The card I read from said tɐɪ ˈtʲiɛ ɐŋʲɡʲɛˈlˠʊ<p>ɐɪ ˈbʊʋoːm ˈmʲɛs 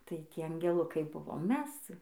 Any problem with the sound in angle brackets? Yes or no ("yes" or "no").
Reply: yes